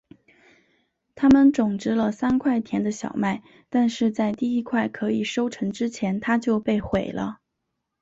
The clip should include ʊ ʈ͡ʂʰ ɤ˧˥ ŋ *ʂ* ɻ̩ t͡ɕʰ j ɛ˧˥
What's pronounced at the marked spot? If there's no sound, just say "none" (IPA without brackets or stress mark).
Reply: ʈ͡ʂ